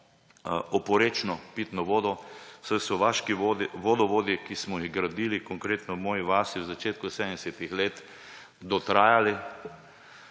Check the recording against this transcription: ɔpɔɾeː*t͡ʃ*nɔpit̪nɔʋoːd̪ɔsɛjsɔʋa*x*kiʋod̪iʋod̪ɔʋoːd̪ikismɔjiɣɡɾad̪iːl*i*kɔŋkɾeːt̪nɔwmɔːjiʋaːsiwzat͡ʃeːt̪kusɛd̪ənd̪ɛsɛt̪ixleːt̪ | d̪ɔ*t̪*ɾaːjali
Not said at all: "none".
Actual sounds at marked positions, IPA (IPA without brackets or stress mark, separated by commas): t͡ʃ, ʃ, i, t̪